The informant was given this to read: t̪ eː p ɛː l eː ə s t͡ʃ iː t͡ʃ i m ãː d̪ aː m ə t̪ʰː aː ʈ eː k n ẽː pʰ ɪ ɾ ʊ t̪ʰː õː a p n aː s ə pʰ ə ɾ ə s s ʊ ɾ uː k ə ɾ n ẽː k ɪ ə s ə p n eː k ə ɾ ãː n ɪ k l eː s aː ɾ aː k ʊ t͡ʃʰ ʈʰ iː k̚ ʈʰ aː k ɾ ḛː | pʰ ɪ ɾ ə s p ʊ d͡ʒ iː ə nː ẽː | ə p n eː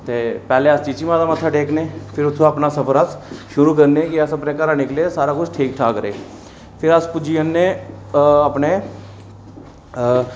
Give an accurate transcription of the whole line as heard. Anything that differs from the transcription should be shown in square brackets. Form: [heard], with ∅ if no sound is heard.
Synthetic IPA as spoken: t̪ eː p ɛː l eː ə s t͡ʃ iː t͡ʃ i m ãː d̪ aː m ə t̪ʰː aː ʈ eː k n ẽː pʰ ɪ ɾ ʊ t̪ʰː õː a p n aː s ə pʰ ə ɾ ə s [ʃ] ʊ ɾ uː k ə ɾ n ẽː k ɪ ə s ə p n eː k ə ɾ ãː n ɪ k l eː s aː ɾ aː k ʊ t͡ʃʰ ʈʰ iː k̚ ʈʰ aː k ɾ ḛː | pʰ ɪ ɾ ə s p ʊ d͡ʒ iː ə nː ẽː | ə p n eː